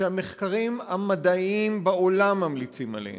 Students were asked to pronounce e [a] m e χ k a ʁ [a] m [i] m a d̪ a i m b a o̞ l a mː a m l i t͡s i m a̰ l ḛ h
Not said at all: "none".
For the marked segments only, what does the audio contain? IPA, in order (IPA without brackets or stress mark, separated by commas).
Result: a, i, a